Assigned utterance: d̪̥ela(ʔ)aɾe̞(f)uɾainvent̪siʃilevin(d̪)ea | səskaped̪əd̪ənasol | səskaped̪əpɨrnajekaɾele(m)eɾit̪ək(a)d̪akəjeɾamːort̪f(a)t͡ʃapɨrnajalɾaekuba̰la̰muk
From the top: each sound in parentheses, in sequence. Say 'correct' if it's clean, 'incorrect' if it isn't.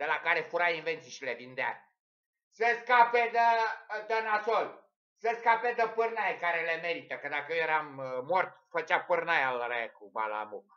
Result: incorrect: k, correct, correct, correct, incorrect: ə, incorrect: ə

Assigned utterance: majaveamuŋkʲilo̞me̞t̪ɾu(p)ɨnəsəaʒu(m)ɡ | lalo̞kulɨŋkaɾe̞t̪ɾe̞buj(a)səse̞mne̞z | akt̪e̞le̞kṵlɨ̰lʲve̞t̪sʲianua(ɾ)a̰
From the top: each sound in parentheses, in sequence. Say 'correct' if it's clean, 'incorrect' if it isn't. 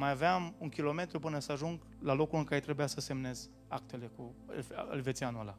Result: correct, incorrect: ŋ, correct, incorrect: l

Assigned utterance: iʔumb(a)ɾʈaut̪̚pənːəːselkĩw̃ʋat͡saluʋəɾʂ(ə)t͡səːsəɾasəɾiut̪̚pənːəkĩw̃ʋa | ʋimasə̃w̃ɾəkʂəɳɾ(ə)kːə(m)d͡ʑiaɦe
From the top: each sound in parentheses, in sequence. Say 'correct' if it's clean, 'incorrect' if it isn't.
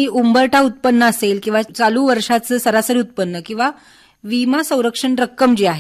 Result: incorrect: ə, incorrect: a, correct, correct

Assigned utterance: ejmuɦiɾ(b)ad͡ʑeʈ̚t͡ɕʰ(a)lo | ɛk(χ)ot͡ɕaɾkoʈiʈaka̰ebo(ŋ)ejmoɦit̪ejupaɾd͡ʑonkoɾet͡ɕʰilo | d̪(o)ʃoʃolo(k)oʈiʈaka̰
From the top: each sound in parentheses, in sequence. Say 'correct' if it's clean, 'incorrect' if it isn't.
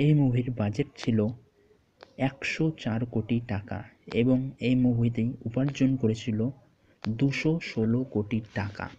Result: correct, incorrect: i, incorrect: ʃ, correct, incorrect: u, correct

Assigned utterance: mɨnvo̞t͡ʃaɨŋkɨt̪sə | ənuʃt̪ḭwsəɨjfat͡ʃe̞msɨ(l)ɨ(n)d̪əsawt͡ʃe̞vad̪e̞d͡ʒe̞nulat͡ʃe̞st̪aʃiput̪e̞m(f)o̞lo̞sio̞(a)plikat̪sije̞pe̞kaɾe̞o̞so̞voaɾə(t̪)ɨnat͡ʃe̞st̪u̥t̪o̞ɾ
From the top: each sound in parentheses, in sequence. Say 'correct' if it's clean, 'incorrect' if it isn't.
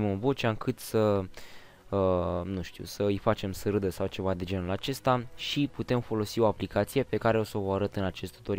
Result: incorrect: ɾ, incorrect: none, correct, correct, correct

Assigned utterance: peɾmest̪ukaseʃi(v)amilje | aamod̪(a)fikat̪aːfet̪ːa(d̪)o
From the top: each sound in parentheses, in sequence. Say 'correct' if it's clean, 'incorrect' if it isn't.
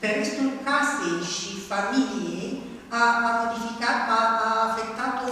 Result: incorrect: f, incorrect: i, incorrect: t̪

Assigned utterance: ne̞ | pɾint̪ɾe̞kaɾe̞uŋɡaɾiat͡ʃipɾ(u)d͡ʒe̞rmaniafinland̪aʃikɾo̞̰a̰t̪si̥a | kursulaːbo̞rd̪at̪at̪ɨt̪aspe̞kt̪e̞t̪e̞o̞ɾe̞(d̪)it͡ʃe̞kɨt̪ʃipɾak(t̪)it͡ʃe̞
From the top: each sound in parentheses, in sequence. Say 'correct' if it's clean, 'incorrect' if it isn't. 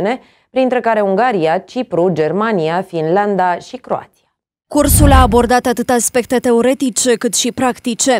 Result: correct, incorrect: t̪, correct

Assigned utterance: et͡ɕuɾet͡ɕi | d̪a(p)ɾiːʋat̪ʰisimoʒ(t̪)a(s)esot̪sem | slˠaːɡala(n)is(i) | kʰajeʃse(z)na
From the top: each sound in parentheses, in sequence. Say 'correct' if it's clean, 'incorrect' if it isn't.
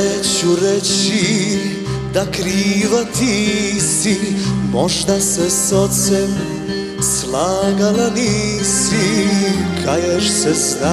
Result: incorrect: k, incorrect: d̪, correct, correct, correct, correct

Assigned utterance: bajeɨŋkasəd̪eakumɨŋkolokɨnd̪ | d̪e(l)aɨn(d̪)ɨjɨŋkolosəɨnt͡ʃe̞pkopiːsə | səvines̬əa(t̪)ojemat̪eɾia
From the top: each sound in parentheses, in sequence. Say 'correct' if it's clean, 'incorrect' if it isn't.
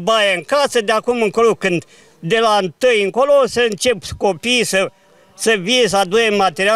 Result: correct, incorrect: t̪, incorrect: d̪

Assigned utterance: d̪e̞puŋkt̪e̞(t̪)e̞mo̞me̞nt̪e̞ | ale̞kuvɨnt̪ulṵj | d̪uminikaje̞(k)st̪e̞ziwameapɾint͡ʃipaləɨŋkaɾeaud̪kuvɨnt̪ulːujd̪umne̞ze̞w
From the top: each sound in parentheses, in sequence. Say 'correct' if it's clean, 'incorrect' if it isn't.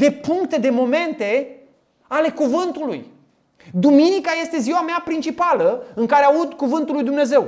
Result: incorrect: d̪, incorrect: none

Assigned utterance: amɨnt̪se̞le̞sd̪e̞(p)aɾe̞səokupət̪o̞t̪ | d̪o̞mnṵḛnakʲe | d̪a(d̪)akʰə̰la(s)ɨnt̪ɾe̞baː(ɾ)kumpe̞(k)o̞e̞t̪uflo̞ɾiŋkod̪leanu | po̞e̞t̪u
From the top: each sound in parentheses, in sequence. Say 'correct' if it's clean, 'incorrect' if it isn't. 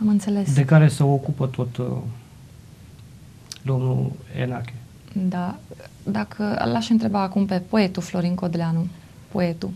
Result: incorrect: k, correct, incorrect: ʃ, incorrect: none, incorrect: p

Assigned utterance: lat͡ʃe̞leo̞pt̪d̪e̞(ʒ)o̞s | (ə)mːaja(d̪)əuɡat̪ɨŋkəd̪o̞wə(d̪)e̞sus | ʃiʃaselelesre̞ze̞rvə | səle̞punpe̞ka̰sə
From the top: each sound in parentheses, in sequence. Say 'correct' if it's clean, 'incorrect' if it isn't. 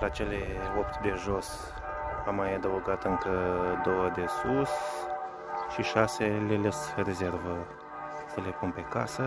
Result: correct, incorrect: a, correct, correct

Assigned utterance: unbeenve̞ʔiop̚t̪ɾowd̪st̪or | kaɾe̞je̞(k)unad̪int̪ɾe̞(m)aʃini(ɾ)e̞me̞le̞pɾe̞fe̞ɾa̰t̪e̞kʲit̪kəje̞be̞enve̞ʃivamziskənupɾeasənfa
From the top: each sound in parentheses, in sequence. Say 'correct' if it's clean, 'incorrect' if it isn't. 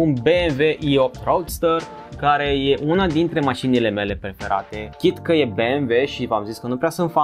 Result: incorrect: ʔ, correct, incorrect: l

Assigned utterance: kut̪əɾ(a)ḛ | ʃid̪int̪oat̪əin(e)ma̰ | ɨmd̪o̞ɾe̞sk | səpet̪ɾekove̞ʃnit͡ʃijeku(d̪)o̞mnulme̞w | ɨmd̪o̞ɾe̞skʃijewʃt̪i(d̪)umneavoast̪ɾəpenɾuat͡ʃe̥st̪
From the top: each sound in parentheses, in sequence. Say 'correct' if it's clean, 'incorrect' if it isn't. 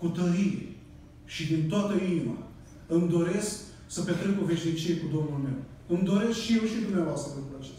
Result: incorrect: i, incorrect: i, correct, correct

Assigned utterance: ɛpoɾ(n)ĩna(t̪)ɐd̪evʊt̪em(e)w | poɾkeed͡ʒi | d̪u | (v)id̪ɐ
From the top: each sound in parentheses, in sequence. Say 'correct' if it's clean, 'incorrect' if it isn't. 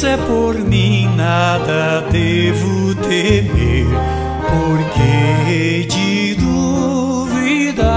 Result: incorrect: m, incorrect: d̪, correct, correct

